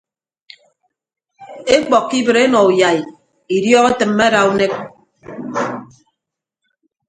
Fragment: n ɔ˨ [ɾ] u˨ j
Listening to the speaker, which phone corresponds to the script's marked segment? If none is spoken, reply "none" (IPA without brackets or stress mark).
none